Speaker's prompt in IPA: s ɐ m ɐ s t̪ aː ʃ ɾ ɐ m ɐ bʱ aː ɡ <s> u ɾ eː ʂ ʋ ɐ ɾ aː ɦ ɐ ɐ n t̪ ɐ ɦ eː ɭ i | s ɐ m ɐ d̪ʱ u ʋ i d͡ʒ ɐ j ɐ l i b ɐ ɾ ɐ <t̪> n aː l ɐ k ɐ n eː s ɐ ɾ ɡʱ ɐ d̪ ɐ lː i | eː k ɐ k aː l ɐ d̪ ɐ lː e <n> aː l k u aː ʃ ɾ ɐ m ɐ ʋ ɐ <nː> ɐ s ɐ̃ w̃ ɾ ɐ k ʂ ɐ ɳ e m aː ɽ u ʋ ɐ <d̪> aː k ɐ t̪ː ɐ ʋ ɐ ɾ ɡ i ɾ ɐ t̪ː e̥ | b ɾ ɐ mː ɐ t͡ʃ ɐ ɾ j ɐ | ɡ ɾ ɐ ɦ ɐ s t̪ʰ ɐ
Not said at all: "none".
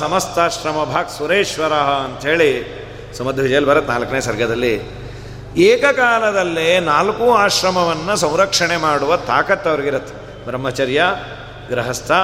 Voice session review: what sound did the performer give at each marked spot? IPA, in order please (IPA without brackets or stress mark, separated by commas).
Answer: s, t̪, n, nː, t̪